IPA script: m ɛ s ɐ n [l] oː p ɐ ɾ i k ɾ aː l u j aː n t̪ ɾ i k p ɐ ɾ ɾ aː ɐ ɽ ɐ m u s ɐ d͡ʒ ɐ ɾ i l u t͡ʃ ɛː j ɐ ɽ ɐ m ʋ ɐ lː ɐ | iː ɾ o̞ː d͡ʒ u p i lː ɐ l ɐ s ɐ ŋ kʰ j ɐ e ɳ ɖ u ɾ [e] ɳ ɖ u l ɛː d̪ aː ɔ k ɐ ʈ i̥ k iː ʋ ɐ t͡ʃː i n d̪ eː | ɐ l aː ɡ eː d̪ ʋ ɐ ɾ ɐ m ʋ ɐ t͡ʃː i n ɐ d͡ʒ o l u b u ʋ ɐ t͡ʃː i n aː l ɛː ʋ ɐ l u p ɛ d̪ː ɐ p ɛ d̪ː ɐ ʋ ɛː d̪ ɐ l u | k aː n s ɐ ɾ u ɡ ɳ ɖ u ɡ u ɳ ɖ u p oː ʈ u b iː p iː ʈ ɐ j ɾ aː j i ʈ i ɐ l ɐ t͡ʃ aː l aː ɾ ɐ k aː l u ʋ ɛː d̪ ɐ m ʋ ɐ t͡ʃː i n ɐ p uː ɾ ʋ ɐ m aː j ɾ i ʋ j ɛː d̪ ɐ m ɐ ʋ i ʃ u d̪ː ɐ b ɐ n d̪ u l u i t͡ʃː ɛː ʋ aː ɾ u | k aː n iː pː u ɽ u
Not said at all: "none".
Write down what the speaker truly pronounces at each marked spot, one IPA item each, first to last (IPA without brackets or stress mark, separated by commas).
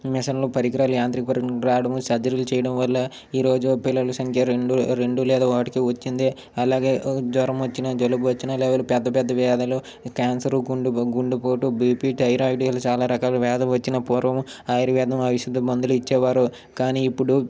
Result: l, e